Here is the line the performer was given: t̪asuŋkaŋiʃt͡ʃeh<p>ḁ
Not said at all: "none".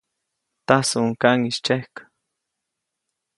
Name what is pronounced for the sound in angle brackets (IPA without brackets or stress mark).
k